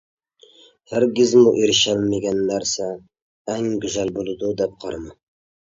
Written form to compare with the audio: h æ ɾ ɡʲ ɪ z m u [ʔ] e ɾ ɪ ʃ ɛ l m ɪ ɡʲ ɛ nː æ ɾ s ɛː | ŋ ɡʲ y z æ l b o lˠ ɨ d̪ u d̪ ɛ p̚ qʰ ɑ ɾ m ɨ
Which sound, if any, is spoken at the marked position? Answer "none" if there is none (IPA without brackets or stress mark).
ʔ